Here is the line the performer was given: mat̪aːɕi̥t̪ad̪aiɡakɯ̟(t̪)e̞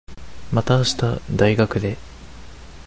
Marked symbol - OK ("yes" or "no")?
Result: no